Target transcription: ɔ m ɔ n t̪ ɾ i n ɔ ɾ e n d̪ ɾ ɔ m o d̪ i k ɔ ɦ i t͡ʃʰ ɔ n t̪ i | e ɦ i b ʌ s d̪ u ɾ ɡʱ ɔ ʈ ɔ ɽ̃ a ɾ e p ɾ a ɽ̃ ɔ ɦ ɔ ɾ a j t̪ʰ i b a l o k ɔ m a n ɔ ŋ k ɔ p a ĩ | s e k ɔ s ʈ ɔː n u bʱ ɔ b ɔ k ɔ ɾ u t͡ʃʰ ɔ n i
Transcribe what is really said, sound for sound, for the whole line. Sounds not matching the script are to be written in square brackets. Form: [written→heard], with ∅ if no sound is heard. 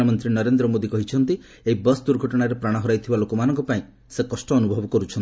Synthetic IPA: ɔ m ɔ n t̪ ɾ i n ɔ ɾ e n d̪ ɾ ɔ m o d̪ i k ɔ ɦ i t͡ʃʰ ɔ n t̪ i | e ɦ i b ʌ s d̪ u ɾ ɡʱ ɔ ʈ ɔ ɽ̃ a ɾ e p ɾ a ɽ̃ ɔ ɦ ɔ ɾ a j t̪ʰ i b a l o k ɔ m a n ɔ ŋ k ɔ p a ĩ | s e k ɔ s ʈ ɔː n u bʱ ɔ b ɔ k ɔ ɾ u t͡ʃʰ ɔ n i